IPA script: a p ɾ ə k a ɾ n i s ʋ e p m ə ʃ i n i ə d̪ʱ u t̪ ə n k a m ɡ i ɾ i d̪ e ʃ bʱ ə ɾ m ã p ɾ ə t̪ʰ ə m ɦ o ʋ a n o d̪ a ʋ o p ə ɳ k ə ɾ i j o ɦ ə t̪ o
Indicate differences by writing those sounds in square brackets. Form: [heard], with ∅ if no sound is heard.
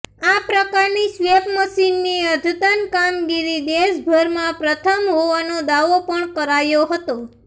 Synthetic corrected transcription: a p ɾ ə k a ɾ n i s ʋ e p m ə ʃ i [nː] i ə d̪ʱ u t̪ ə n k a m ɡ i ɾ i d̪ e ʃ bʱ ə ɾ m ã p ɾ ə t̪ʰ ə m ɦ o ʋ a n o d̪ a ʋ o p ə ɳ k ə ɾ [a] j o ɦ ə t̪ o